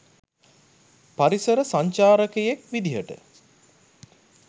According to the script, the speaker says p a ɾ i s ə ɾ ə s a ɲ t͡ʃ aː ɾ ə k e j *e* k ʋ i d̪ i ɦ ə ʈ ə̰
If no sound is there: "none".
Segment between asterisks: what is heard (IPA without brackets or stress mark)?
e